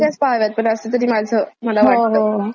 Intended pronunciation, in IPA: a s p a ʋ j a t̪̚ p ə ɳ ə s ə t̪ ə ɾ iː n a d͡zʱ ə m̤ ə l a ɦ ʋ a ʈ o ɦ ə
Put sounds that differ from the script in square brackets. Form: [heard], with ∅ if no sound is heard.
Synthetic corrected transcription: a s p a ʋ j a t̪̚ p ə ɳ ə s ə t̪ ə ɾ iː [m] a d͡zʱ ə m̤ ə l a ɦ ʋ a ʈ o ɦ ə